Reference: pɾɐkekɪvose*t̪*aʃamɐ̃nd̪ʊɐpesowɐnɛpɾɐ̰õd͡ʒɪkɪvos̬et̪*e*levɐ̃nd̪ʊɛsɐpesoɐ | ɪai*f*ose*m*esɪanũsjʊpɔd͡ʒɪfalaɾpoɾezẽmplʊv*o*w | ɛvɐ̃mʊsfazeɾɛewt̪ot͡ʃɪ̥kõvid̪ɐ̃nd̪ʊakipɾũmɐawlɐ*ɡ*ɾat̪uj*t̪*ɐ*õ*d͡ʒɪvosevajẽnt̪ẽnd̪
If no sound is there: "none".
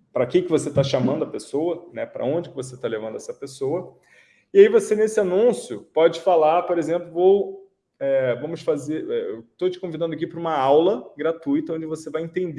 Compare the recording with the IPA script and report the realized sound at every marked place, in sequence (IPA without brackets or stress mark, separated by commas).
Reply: t̪, a, v, n, o, ɡ, t̪, õ